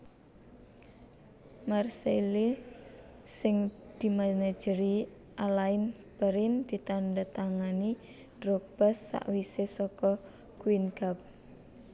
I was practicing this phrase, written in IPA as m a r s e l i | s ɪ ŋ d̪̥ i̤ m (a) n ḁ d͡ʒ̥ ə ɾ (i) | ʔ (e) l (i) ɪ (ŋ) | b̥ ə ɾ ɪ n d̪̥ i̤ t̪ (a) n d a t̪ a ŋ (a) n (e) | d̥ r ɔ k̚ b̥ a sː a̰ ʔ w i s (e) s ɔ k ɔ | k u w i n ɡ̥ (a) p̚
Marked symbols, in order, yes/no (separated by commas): yes, yes, no, no, no, yes, yes, no, yes, yes